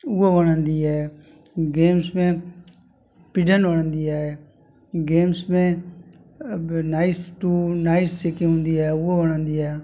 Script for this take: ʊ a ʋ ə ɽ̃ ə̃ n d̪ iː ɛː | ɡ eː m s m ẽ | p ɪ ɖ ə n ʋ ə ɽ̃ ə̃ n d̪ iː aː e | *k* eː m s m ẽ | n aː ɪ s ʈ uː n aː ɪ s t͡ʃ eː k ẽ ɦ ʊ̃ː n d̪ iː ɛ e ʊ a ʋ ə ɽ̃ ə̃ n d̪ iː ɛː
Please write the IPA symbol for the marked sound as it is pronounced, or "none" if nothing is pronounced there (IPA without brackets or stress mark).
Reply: ɡ